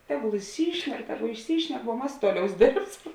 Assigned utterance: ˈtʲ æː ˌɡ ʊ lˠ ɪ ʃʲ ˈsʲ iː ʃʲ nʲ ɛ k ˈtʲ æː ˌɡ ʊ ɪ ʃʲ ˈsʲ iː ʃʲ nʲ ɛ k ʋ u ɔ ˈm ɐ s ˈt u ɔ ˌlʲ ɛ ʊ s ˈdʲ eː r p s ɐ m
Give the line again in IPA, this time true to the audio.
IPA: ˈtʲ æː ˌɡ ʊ lˠ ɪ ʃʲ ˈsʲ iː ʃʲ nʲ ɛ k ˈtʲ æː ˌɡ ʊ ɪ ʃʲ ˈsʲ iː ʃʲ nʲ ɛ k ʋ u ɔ ˈm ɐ s ˈt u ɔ ˌlʲ ɛ ʊ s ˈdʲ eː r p s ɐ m